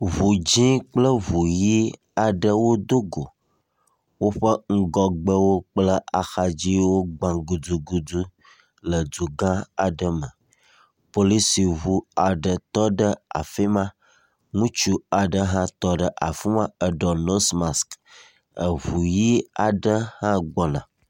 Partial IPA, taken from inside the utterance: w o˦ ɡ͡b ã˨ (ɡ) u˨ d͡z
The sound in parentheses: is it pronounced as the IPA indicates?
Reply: yes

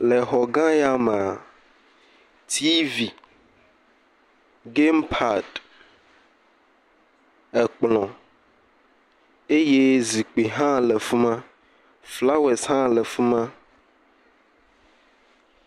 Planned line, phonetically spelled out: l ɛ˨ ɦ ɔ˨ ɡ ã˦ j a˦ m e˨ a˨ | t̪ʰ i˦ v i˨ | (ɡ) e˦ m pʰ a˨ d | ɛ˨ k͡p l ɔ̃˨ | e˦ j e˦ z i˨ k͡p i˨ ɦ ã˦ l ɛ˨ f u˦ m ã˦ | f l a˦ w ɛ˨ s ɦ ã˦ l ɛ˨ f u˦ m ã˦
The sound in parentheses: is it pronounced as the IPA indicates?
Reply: yes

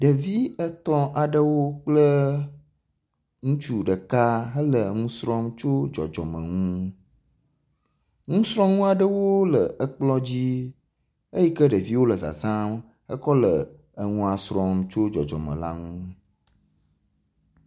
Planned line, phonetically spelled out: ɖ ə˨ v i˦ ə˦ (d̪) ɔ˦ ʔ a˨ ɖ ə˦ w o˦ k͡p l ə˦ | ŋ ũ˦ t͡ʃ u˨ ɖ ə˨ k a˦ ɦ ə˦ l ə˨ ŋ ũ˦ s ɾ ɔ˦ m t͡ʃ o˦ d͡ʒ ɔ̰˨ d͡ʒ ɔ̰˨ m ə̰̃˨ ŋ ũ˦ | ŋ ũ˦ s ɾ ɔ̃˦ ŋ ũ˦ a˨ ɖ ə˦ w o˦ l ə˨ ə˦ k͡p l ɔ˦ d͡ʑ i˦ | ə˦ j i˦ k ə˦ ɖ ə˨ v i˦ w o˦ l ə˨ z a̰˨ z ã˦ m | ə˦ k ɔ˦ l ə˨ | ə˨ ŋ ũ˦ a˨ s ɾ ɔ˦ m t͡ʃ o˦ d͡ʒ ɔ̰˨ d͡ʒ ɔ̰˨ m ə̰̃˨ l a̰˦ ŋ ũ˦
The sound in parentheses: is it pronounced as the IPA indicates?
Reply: no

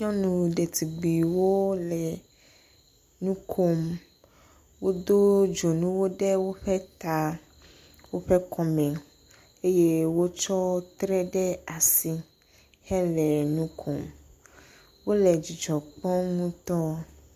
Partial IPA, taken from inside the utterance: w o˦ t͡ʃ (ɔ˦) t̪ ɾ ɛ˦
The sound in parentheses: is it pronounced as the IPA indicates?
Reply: yes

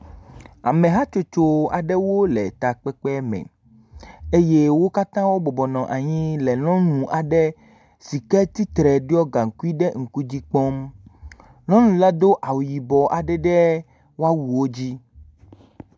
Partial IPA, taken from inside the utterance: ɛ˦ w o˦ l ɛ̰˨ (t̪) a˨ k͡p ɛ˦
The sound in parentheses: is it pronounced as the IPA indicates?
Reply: yes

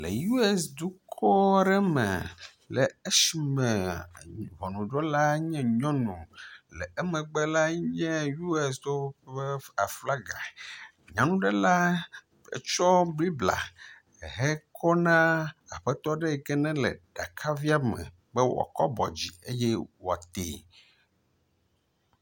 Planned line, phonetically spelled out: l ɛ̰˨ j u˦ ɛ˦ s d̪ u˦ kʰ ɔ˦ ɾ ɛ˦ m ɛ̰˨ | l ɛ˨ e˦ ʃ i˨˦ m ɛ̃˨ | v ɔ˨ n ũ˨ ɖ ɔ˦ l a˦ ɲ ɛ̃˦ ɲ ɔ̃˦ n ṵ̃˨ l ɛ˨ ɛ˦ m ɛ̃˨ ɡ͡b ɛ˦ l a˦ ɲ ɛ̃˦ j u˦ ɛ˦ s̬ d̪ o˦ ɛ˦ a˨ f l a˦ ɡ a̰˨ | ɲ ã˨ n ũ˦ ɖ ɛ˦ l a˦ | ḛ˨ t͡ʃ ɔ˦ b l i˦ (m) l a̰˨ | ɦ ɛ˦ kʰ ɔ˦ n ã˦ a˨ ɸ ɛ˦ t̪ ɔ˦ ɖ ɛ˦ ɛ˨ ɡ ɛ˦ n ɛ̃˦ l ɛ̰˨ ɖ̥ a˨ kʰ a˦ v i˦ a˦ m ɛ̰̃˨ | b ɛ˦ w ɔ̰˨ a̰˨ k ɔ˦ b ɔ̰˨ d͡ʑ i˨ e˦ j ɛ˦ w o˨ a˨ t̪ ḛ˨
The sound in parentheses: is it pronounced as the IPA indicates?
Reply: no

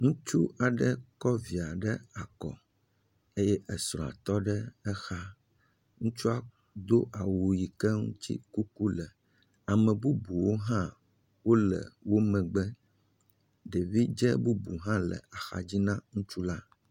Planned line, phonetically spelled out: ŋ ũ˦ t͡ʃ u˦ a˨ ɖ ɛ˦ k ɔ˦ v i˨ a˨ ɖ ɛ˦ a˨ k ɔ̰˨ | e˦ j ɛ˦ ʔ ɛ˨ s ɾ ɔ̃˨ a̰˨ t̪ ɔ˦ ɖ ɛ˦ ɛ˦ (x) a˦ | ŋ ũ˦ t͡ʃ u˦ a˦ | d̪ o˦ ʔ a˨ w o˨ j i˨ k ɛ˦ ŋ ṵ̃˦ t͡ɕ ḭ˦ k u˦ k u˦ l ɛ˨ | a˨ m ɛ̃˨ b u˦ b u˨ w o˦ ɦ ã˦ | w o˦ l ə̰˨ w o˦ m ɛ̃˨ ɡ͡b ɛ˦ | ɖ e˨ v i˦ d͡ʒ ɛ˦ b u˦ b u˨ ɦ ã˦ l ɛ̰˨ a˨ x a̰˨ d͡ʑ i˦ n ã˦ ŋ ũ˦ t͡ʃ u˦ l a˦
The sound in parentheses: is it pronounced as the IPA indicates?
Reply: yes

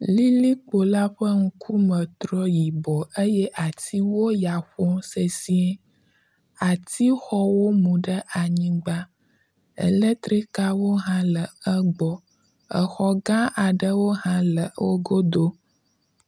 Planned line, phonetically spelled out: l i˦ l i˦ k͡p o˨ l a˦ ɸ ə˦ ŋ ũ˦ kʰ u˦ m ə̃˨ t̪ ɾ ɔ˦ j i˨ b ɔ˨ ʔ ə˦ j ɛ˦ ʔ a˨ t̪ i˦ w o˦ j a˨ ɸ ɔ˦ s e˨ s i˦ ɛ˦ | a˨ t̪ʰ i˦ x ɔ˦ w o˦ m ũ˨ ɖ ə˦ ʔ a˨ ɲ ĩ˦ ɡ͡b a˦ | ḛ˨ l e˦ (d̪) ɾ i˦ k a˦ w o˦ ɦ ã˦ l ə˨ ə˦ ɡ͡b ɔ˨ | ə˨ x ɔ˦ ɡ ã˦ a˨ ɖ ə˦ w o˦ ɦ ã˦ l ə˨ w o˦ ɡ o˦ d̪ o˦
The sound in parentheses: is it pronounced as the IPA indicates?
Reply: no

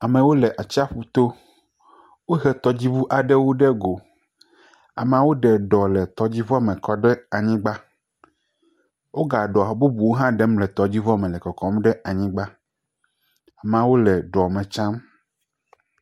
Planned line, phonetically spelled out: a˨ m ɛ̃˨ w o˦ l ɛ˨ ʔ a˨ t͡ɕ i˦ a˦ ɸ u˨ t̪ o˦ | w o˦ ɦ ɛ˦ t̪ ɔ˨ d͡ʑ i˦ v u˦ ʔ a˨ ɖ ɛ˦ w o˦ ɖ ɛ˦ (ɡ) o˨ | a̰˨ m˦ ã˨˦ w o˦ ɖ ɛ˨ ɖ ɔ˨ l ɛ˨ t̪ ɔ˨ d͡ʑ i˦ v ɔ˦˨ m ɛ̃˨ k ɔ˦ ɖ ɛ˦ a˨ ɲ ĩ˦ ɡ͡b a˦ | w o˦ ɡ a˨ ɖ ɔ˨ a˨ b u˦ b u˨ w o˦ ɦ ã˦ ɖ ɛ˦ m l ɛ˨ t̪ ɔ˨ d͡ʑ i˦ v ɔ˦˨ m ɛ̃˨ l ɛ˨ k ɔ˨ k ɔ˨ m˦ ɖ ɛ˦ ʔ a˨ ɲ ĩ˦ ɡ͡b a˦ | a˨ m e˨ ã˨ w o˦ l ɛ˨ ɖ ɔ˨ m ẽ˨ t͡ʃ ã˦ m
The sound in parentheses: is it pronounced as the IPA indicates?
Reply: yes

